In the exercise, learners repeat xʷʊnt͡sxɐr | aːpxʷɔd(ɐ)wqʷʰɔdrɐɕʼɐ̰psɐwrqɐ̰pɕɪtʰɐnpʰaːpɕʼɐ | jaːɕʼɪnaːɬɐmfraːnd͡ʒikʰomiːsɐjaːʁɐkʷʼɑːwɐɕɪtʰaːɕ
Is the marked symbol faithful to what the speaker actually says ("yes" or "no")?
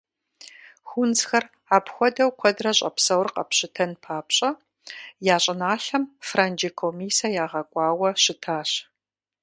yes